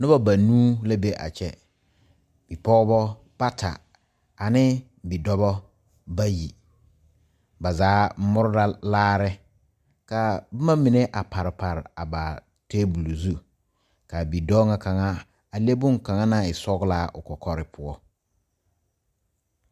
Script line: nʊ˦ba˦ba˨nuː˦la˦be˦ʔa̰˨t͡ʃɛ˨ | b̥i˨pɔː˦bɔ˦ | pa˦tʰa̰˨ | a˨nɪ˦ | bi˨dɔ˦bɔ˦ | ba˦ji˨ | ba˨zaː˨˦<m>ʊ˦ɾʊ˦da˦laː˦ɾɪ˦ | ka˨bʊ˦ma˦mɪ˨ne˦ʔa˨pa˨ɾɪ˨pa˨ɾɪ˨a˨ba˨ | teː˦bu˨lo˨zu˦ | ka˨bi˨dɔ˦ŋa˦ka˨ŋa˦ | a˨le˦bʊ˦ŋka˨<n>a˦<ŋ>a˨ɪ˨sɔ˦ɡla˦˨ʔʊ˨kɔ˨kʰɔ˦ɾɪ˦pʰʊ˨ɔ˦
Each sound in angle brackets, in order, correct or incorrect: correct, incorrect: ŋ, incorrect: n

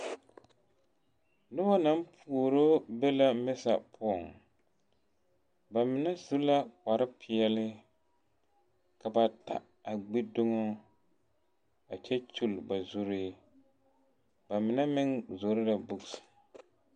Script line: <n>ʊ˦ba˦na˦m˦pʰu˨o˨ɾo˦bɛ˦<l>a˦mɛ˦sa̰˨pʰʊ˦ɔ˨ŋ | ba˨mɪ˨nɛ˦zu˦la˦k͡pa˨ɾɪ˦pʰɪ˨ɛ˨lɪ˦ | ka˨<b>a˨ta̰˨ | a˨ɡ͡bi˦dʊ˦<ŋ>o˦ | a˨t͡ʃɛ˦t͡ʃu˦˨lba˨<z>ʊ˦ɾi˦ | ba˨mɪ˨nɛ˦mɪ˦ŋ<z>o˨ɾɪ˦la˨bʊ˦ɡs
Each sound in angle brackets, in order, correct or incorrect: correct, correct, correct, correct, correct, correct

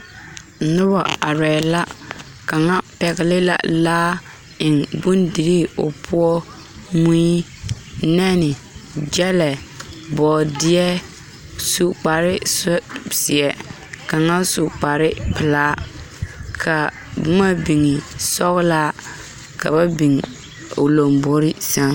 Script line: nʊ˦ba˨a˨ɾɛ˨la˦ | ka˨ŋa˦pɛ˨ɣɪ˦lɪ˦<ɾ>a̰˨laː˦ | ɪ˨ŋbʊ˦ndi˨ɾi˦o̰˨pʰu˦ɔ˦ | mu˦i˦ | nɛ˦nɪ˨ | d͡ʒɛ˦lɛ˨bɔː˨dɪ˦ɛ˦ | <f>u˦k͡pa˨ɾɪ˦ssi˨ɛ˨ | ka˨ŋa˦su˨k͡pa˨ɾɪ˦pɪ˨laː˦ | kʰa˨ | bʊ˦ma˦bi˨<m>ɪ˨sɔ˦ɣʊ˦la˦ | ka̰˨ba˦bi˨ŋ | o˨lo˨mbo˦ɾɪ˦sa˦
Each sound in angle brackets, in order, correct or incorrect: incorrect: l, incorrect: s, incorrect: ŋ

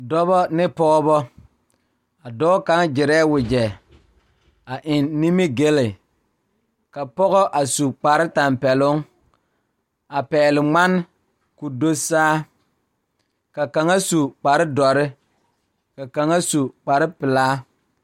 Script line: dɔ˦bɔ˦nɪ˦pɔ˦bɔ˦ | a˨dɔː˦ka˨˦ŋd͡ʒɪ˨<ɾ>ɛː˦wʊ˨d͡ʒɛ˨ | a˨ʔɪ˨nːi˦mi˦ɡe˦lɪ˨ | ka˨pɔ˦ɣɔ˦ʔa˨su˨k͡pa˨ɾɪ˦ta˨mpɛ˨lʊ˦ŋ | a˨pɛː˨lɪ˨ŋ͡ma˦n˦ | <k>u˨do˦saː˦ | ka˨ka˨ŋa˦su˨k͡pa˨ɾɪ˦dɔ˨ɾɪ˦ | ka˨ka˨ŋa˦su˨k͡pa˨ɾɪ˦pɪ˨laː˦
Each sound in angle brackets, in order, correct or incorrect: correct, correct

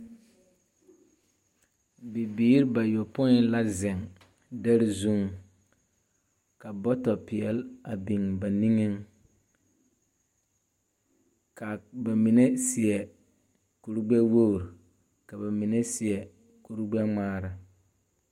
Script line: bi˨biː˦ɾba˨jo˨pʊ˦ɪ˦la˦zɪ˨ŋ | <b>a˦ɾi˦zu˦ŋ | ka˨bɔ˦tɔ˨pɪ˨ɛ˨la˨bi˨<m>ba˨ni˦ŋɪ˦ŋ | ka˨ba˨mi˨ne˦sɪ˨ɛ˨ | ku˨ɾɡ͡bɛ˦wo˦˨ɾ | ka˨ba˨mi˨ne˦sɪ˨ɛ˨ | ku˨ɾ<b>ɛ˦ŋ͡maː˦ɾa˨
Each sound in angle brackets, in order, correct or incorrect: incorrect: d, incorrect: ŋ, incorrect: ɡ͡b

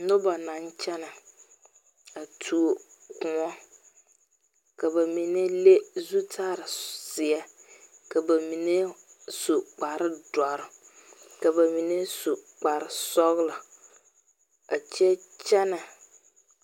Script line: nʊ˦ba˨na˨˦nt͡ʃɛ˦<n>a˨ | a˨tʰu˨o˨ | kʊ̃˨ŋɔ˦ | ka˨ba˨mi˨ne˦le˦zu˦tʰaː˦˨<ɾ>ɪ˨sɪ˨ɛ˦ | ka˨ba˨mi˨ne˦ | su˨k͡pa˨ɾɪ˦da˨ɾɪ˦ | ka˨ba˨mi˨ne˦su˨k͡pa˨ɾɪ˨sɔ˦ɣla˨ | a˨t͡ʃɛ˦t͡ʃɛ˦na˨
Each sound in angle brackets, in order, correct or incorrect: correct, correct

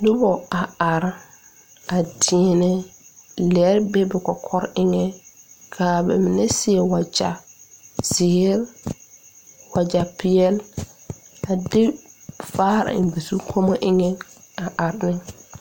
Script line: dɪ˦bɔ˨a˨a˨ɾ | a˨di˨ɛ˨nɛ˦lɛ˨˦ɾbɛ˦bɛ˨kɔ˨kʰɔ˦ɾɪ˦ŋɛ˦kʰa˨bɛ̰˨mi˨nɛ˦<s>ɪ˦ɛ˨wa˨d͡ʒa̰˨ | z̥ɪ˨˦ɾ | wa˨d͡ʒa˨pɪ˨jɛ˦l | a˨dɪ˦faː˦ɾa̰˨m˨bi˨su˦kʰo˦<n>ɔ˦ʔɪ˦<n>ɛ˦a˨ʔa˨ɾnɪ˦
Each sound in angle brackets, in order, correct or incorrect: correct, incorrect: m, incorrect: ŋ

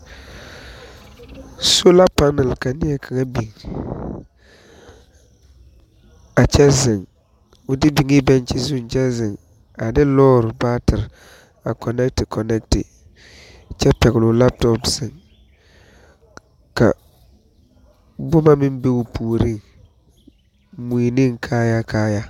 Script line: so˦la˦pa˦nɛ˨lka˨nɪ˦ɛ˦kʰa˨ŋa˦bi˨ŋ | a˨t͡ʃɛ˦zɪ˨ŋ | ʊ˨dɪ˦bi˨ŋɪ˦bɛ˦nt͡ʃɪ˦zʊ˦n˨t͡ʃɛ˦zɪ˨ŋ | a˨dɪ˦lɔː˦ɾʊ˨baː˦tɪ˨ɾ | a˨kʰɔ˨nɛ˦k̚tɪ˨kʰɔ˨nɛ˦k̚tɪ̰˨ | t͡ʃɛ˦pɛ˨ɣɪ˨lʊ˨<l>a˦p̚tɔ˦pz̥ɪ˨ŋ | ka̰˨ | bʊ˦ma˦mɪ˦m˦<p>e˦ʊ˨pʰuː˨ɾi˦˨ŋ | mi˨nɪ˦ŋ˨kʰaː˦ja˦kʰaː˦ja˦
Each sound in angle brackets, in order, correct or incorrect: correct, incorrect: b

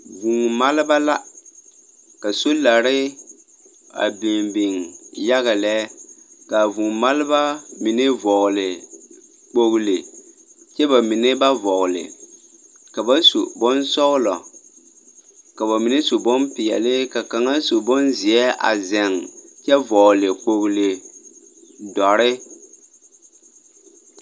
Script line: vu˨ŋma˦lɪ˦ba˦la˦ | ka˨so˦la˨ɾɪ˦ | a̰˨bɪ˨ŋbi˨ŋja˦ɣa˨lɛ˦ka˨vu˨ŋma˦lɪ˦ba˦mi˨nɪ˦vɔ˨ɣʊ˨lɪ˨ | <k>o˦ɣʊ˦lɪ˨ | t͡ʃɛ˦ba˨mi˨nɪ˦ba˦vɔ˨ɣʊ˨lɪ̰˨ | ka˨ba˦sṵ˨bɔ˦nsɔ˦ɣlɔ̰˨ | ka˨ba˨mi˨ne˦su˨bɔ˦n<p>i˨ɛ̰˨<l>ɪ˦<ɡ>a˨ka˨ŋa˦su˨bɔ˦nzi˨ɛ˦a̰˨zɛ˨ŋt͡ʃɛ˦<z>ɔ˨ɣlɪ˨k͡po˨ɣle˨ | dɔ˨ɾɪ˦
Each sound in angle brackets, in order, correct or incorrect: incorrect: k͡p, correct, correct, incorrect: k, incorrect: v

